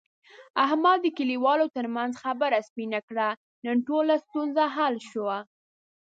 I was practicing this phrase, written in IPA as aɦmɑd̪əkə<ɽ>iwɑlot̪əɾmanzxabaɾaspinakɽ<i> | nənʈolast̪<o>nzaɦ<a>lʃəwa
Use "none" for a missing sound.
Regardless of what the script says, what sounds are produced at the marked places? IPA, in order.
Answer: l, a, u, a

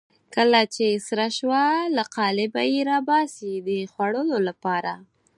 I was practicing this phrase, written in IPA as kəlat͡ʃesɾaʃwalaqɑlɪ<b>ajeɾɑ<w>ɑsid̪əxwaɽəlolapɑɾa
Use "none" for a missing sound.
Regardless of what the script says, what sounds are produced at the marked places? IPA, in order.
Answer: b, b

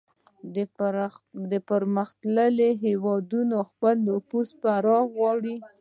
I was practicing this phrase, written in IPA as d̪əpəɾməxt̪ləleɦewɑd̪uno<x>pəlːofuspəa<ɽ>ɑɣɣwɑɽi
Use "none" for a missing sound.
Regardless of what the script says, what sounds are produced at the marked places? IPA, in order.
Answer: x, ɾ

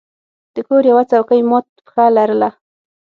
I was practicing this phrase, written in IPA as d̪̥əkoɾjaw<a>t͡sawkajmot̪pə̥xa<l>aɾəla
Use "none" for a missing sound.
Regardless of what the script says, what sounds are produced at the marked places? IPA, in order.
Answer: a, l

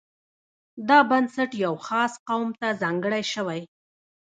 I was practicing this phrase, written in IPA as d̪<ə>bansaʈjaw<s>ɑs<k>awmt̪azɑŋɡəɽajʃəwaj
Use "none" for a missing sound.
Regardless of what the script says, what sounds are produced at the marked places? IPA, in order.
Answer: ɑ, x, q

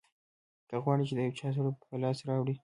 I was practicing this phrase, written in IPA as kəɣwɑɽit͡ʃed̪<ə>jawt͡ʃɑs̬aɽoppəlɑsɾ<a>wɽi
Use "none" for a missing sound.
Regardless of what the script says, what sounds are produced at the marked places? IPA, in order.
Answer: ə, ɑ

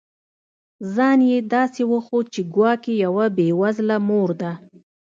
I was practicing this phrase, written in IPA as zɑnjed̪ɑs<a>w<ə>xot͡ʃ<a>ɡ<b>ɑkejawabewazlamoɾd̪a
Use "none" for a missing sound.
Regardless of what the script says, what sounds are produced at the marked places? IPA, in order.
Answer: e, ə, e, w

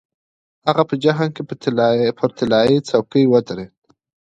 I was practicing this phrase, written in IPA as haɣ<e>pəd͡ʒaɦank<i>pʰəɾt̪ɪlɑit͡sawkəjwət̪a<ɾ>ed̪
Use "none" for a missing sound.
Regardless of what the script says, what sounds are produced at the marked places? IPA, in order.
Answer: a, e, ɾ

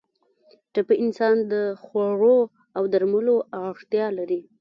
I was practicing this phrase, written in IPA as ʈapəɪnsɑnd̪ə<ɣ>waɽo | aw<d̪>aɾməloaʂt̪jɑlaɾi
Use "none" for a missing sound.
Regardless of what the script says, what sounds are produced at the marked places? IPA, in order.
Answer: x, d̪

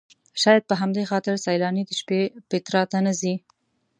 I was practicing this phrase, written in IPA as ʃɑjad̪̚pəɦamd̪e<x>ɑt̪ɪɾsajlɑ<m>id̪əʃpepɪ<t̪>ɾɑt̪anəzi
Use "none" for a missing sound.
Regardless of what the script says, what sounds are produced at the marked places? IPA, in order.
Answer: x, n, t̪

